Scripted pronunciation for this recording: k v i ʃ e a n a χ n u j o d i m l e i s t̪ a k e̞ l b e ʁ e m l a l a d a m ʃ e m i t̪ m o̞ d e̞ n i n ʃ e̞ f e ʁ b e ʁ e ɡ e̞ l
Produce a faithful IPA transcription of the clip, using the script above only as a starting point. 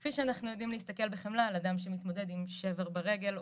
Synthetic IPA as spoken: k f i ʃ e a n a χ n u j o d i m l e i s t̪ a k e̞ l b e χ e m l a l a d a m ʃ e m i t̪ m o̞ d e̞ d i m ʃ e̞ v e ʁ b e ʁ e ɡ e̞ l